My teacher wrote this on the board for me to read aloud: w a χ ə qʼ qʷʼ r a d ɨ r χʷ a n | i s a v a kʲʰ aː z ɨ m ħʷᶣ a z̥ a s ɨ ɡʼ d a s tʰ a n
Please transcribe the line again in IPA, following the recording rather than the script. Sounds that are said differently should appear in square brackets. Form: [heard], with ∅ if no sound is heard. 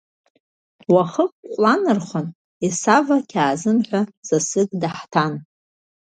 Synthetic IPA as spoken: w a χ ə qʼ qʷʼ [l] a [n] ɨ r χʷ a n | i s a v a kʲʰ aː z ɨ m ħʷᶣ a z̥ a s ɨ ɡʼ d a [ħ] tʰ a n